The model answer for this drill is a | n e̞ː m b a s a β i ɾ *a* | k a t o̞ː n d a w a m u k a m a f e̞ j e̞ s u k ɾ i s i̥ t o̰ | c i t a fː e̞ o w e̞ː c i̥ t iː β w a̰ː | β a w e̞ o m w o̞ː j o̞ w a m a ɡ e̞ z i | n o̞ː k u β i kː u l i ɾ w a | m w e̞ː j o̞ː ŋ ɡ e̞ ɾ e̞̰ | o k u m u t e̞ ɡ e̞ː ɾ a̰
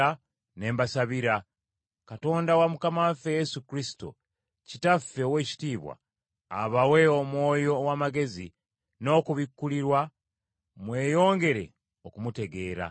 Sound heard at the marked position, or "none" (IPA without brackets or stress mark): a